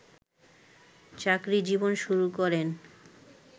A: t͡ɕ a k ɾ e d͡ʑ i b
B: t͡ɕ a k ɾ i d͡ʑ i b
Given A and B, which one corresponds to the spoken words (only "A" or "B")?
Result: B